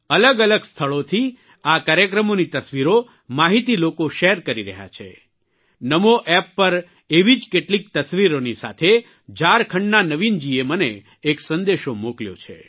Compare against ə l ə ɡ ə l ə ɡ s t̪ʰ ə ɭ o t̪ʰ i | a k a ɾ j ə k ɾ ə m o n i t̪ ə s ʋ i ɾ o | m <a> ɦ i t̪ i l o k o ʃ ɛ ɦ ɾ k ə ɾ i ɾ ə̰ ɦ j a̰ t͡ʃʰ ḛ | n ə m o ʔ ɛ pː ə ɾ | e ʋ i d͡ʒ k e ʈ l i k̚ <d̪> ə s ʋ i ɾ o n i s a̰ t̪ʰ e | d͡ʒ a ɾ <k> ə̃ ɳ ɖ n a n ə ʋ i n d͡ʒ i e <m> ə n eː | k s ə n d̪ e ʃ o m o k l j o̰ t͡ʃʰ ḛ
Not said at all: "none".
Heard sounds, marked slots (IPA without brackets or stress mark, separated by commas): a, t̪, kʰ, m